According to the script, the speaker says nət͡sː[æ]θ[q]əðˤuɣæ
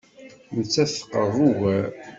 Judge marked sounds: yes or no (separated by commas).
yes, yes